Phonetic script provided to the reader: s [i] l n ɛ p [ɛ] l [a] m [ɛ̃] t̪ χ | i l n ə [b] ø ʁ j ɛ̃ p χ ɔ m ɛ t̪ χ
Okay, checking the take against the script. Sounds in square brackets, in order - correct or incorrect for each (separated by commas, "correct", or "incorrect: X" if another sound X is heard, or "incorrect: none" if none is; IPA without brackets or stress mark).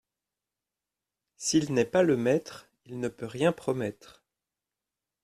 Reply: correct, incorrect: a, incorrect: ə, incorrect: ɛ, incorrect: p